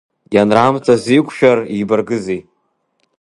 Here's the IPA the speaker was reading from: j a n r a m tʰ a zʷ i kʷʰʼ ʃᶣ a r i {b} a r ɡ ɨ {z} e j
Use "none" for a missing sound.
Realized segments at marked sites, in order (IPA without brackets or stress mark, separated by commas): b, z